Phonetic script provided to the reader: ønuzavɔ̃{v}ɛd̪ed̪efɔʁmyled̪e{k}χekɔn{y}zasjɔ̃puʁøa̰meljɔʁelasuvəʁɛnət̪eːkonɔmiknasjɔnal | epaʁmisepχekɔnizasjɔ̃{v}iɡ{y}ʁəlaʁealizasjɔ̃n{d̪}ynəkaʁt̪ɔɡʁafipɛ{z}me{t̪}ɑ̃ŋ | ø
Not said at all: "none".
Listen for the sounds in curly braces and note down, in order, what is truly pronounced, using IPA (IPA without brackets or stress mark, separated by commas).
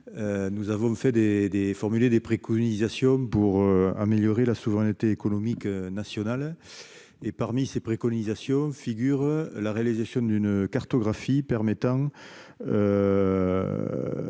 f, p, i, f, y, d̪, ʁ, t̪